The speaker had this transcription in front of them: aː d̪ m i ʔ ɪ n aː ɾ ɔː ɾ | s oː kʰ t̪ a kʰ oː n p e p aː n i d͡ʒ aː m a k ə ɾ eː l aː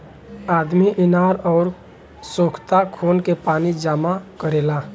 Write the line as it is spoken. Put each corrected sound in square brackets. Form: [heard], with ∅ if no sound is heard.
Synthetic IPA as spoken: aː d̪ m i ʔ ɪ n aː ɾ ɔː ɾ | s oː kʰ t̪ a kʰ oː n [k] e p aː n i d͡ʒ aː m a k ə ɾ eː l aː